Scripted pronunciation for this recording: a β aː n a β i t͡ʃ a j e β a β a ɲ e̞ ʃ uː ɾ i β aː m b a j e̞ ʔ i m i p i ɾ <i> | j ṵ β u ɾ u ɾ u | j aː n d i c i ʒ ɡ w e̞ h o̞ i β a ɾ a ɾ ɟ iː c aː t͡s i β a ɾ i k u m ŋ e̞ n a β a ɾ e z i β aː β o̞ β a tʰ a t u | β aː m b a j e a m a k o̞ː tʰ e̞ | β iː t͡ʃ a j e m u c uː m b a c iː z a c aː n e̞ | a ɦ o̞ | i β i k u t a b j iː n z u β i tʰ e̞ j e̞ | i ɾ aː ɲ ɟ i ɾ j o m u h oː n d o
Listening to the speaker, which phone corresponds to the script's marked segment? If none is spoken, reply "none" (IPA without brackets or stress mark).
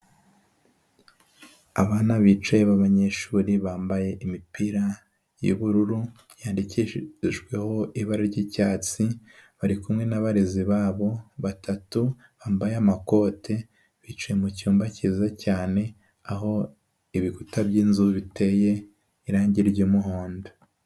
a